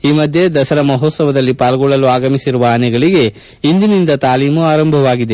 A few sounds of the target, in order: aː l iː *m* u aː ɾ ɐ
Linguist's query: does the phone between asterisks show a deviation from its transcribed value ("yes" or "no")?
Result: no